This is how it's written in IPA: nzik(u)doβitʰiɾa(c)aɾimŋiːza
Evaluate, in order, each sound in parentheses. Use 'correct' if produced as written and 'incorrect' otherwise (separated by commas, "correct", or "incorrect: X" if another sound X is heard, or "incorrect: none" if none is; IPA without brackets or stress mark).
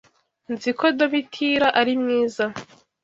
incorrect: o, incorrect: ʔ